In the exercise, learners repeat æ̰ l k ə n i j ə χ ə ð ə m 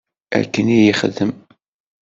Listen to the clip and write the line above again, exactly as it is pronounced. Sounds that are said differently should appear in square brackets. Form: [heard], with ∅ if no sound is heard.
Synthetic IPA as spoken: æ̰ [ɾ] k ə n i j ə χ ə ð ə m